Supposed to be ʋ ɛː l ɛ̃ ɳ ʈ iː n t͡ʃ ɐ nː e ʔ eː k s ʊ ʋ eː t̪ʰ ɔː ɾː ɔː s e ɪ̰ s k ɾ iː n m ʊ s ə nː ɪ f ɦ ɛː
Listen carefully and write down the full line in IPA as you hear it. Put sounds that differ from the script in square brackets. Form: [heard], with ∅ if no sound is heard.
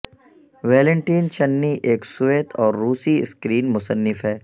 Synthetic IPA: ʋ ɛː l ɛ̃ ɳ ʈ iː n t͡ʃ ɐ nː [i] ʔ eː k s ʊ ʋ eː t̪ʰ ɔː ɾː [uː] s [i] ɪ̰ s k ɾ iː n m ʊ s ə nː ɪ f ɦ ɛː

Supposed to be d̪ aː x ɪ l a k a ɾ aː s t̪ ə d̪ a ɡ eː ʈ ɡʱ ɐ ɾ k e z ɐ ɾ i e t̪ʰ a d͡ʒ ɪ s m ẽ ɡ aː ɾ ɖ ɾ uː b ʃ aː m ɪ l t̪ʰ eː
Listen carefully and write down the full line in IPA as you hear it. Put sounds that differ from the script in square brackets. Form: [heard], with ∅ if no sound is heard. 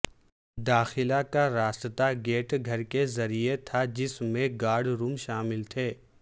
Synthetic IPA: d̪ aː x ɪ l a k a ɾ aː s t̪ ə [t̪] a ɡ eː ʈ ɡʱ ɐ ɾ k e z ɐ ɾ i e t̪ʰ a d͡ʒ ɪ s m ẽ ɡ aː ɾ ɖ ɾ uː [m] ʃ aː m ɪ l t̪ʰ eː

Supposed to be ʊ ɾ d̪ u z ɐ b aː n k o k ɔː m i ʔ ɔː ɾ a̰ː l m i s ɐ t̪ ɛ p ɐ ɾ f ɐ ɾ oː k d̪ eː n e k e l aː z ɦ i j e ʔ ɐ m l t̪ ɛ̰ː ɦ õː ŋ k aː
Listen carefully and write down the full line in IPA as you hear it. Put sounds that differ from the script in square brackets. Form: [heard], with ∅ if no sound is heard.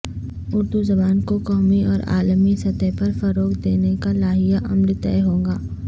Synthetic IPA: ʊ ɾ d̪ u z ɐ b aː n k o k ɔː m i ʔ ɔː ɾ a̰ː l m i s ɐ t̪ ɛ p ɐ ɾ f ɐ ɾ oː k d̪ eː n e k [a] l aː [∅] ɦ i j [a] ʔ ɐ m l t̪ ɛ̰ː ɦ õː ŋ [ɡ] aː

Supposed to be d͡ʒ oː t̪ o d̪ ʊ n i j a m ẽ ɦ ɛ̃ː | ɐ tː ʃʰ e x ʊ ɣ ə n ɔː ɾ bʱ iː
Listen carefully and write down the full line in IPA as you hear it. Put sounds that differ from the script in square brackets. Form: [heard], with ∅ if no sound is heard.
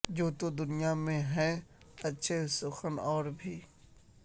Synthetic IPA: d͡ʒ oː t̪ o d̪ ʊ n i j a m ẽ ɦ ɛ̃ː | ɐ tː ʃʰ e [s] ʊ [x] ə n ɔː ɾ bʱ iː

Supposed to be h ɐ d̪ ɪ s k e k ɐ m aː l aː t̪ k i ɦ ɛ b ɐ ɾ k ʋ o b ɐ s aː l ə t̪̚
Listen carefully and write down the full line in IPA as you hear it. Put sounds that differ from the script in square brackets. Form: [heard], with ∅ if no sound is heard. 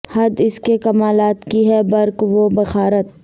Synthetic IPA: h ɐ d̪ ɪ s k e k ɐ m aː l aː t̪ k i ɦ ɛ b ɐ ɾ k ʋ o b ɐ [x] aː [ɾ] ə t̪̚

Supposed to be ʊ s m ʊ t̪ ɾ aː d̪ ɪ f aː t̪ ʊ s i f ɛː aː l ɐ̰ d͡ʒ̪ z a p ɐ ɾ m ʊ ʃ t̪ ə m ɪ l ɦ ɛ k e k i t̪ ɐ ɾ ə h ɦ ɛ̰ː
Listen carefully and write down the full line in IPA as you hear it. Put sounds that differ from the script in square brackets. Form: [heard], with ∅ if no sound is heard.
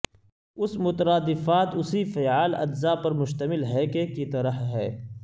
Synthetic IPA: ʊ s m ʊ t̪ ɾ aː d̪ ɪ f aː t̪ ʊ s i f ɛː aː l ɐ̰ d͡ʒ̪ z a p ɐ ɾ m ʊ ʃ t̪ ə m ɪ l ɦ ɛ k e k i t̪ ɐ ɾ ə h ɦ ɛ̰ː

